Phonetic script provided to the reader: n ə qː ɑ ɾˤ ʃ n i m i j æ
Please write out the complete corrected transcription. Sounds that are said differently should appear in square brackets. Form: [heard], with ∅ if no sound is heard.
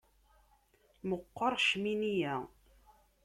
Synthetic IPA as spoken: [m] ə qː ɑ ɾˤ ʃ [m] i [n] i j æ

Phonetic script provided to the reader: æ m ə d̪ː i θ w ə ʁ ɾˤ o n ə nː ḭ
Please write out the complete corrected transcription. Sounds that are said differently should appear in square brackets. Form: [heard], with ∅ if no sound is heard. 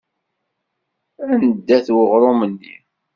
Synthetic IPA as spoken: æ [n] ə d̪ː [æ] θ w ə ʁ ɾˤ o [m] ə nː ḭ

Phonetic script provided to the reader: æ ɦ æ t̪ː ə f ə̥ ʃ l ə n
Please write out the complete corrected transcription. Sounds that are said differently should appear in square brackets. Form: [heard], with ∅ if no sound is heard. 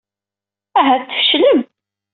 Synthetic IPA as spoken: æ ɦ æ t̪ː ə f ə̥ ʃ l ə [m]

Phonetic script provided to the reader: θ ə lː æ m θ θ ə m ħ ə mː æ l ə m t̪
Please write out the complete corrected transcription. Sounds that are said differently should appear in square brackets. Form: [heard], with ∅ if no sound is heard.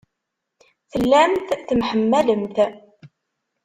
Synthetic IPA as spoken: θ ə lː æ m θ θ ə m ħ ə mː æ l ə m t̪

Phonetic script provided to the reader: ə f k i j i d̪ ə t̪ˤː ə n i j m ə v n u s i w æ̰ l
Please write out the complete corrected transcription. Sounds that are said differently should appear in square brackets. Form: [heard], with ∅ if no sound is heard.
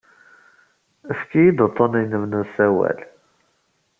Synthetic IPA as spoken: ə f k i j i d̪ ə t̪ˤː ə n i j [n] ə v n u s [æ] w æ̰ l

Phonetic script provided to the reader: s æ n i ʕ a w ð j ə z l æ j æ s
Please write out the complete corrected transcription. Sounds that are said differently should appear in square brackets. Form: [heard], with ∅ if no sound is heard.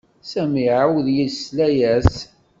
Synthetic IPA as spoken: s æ [m] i ʕ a w ð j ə [s] l æ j æ s

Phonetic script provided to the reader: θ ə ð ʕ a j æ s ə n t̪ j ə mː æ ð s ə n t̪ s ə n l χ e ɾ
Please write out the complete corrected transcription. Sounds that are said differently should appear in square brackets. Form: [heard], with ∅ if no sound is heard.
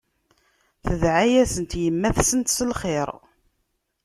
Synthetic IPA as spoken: θ ə ð ʕ a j æ s ə n t̪ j ə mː æ [θ] s ə n t̪ s ə [∅] l χ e ɾ

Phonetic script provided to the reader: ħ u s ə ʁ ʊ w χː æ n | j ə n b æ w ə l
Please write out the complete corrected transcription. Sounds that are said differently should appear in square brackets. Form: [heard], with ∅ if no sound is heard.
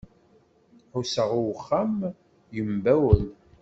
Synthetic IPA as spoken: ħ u s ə ʁ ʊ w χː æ [m] | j ə [m] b æ w ə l

